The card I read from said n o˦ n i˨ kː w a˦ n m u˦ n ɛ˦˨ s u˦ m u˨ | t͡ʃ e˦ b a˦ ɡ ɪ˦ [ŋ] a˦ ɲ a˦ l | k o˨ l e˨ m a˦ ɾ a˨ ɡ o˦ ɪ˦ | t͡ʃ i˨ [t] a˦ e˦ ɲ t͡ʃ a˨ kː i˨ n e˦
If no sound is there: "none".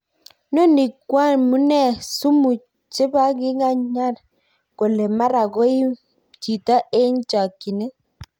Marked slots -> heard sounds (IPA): ŋ, t

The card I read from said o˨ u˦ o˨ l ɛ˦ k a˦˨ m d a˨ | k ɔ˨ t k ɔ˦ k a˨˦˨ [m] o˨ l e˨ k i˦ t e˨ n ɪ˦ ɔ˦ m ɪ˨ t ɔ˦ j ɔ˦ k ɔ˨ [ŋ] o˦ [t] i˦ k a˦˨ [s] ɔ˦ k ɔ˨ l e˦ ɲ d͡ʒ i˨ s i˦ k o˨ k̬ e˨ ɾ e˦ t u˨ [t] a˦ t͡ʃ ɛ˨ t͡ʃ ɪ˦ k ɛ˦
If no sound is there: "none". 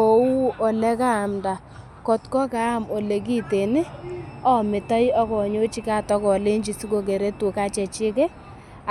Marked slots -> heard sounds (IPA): m, ɲ, t͡ʃ, t, k

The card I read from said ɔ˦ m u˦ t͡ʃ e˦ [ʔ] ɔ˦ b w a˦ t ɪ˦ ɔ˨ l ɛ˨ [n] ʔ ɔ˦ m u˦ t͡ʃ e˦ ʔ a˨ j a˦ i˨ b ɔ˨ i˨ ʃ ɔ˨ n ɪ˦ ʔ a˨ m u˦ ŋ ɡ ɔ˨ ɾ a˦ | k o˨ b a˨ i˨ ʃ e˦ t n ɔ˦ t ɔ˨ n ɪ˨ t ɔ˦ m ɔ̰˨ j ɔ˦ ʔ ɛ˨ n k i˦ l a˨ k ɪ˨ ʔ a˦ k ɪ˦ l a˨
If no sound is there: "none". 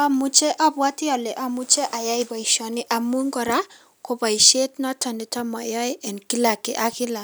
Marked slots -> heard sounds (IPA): ʔ, none

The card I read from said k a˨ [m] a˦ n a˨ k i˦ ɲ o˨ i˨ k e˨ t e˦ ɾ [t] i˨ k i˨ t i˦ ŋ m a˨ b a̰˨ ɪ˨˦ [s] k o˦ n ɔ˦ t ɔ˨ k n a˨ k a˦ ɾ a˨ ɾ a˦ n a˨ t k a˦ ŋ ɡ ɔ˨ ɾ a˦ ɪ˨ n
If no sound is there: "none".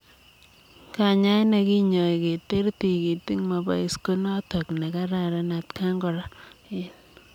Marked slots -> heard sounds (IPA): ɲ, t, s

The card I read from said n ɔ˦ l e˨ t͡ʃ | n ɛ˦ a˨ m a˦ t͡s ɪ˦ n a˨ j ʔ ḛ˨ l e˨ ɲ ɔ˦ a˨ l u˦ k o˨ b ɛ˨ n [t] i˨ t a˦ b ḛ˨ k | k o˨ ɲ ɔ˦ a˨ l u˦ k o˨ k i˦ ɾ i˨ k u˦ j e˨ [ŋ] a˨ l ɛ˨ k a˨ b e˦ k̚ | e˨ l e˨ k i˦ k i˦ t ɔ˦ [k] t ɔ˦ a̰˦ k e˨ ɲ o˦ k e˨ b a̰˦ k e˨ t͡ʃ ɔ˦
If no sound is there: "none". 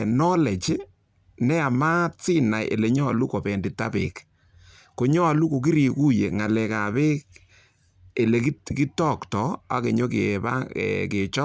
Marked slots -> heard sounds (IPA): d, ŋ, k

